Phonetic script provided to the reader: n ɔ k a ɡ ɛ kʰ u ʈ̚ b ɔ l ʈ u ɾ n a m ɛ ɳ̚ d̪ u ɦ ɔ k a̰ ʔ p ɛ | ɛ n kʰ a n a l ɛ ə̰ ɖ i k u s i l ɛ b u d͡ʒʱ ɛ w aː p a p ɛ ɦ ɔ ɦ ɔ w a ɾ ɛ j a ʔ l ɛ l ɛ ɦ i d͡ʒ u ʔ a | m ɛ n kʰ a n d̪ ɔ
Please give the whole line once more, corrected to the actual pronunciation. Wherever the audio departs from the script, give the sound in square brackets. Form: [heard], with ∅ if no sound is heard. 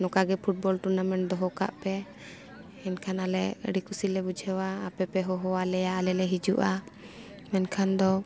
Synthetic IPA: n ɔ k a ɡ ɛ [pʰ] u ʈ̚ b ɔ l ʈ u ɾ n a m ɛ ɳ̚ d̪ [ɔ] ɦ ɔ k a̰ ʔ p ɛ | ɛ n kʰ a n a l ɛ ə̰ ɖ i k u s i l ɛ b u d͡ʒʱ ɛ w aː p [ɛ] p ɛ ɦ ɔ ɦ ɔ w a [l] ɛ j a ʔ l ɛ l ɛ ɦ i d͡ʒ u ʔ a | m ɛ n kʰ a n d̪ ɔ